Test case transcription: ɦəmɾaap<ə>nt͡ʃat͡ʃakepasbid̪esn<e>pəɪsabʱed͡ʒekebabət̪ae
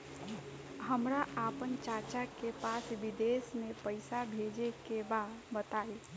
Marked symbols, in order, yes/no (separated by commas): yes, yes